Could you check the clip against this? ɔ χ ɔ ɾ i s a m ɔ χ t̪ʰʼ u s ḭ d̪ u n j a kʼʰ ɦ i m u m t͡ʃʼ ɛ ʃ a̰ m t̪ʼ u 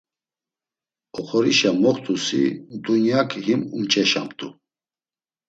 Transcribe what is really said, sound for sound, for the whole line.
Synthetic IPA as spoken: ɔ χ ɔ ɾ i ʃ a m ɔ χ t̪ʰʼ u s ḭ d̪ u n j a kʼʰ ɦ i m u m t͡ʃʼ ɛ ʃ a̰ m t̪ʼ u